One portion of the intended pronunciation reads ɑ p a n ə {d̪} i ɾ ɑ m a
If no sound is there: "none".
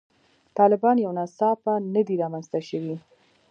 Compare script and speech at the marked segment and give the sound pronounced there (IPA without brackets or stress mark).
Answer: d̪